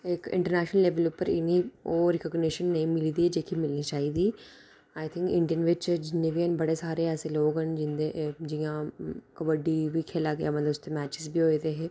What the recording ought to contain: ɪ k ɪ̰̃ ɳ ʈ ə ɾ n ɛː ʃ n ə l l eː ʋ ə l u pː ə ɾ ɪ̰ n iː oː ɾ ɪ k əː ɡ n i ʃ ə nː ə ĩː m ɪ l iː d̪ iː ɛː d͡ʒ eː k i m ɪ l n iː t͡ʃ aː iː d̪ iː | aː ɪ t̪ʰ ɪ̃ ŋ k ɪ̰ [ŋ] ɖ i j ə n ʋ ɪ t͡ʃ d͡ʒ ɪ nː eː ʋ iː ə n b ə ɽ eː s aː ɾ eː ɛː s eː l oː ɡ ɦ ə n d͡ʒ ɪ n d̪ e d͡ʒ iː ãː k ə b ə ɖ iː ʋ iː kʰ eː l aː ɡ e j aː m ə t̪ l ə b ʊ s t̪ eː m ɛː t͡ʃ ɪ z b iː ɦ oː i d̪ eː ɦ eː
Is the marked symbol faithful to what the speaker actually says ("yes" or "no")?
no